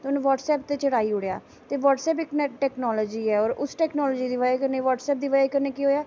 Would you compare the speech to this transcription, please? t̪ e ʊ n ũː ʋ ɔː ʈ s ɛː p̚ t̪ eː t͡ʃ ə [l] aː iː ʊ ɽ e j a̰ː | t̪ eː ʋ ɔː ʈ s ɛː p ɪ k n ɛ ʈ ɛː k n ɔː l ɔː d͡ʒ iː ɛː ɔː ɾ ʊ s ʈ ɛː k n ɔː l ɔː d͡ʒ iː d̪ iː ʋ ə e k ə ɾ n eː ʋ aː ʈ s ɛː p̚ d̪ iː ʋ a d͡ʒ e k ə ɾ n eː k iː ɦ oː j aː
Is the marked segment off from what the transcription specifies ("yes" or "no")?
yes